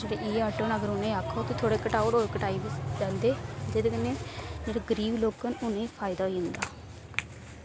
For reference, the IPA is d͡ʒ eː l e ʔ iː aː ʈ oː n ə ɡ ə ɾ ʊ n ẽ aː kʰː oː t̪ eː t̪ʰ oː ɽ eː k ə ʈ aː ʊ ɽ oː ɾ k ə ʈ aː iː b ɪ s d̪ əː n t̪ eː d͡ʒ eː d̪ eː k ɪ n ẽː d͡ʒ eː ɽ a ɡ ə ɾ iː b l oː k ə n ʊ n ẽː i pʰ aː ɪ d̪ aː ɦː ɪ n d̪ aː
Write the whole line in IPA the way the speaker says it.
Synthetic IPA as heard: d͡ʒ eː ɽ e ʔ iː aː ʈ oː n ə ɡ ə ɾ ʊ n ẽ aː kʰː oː t̪ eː t̪ʰ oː ɽ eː k ə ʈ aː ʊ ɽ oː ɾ k ə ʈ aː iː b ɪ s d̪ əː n d̪ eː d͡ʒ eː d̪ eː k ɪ n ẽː d͡ʒ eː ɽ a ɡ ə ɾ iː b l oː k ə n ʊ n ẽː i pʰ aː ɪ d̪ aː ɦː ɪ n d̪ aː